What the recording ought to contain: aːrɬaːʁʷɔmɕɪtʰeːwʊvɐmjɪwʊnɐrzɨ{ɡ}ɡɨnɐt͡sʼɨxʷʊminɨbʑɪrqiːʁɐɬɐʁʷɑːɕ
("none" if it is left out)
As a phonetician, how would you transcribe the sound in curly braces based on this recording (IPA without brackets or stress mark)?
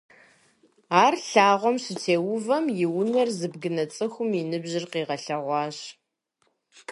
b